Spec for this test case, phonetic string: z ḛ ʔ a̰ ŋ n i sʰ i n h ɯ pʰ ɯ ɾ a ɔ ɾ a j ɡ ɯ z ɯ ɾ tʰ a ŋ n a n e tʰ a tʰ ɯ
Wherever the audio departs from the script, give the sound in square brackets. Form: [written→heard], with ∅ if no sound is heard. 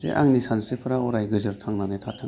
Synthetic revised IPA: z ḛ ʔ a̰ ŋ n i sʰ [i→a] n [h→s] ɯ pʰ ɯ ɾ a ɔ ɾ a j ɡ ɯ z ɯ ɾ tʰ a ŋ n a n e tʰ a tʰ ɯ